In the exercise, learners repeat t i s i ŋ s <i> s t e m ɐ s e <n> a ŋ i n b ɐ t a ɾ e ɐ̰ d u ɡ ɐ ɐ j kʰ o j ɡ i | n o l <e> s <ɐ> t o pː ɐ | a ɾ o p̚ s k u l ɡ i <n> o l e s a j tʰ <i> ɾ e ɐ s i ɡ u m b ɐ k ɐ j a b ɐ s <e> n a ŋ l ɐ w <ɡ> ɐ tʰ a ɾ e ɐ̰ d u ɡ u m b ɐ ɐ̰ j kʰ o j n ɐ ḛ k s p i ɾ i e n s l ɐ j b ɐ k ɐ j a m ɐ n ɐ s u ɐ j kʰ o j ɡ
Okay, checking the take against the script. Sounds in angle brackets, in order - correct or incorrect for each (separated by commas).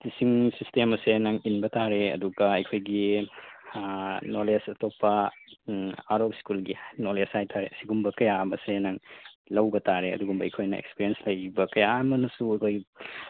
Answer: correct, correct, correct, correct, correct, incorrect, correct, incorrect